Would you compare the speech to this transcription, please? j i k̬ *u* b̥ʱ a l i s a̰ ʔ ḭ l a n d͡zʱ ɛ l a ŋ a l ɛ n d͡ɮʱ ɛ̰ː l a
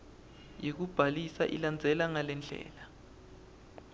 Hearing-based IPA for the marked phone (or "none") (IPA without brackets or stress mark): u